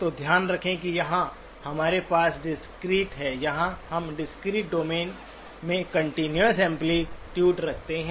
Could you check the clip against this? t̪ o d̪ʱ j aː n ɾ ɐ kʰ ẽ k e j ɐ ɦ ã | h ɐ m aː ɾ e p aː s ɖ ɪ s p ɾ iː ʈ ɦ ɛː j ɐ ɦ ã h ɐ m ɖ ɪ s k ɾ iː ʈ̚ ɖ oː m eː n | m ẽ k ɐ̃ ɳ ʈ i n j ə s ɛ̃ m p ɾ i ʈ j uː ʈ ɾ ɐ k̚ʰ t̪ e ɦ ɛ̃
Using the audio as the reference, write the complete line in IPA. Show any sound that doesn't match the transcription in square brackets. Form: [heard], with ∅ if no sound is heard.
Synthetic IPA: t̪ o d̪ʱ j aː n ɾ ɐ kʰ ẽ k [i] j ɐ ɦ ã | h ɐ m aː ɾ e p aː s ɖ ɪ s [k] ɾ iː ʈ ɦ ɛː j ɐ ɦ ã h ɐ m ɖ ɪ s k ɾ iː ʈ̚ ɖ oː m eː n | m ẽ k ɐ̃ ɳ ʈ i n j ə s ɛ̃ m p [l] i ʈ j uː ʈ ɾ ɐ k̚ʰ t̪ e ɦ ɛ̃